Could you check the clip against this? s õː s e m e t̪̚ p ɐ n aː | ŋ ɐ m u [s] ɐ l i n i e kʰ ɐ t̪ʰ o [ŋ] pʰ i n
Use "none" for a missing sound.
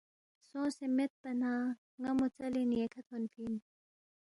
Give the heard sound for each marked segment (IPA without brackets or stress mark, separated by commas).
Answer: t͡s, n